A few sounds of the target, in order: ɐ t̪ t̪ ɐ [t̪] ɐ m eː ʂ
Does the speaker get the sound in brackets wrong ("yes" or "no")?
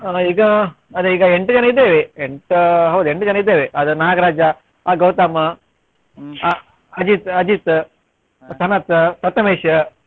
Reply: no